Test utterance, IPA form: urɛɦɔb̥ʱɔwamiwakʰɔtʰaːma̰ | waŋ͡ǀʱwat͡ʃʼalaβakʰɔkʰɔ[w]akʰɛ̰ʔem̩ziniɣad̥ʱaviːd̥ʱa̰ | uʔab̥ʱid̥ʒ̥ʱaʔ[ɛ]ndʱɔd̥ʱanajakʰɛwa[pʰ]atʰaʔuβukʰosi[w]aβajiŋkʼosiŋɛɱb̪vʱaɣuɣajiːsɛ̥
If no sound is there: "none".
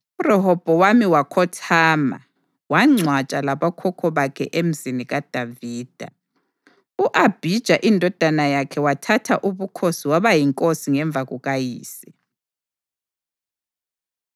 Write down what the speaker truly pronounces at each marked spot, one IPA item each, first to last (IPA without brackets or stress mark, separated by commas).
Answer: β, i, tʰ, w